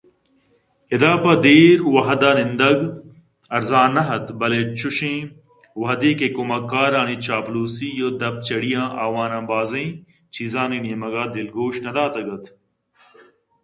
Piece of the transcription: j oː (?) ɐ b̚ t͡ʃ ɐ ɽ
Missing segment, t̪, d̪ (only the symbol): d̪